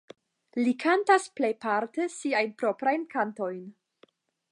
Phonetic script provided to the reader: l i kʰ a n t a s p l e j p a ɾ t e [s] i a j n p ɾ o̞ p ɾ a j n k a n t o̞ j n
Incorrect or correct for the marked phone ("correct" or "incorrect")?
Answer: correct